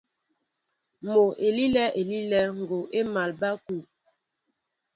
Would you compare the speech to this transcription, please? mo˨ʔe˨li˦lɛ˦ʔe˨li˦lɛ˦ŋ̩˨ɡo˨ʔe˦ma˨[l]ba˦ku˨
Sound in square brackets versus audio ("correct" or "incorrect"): correct